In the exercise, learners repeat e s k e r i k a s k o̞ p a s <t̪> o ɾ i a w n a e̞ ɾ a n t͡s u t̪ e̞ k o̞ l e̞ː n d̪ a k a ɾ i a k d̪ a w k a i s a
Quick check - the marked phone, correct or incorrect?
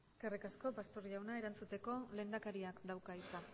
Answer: correct